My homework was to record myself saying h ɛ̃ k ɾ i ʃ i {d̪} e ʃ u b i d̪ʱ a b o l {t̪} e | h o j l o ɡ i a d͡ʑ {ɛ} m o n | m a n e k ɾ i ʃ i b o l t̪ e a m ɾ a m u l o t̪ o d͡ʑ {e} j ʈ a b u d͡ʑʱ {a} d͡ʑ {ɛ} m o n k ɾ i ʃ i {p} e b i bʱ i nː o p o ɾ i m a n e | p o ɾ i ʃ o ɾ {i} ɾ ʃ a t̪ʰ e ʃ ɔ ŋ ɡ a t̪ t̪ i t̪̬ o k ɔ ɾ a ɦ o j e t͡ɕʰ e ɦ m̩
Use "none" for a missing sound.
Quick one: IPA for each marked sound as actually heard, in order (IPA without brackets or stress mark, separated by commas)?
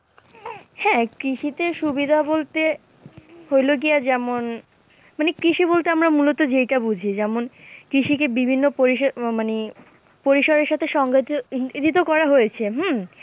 t̪, t̪, ɛ, e, i, ɛ, k, e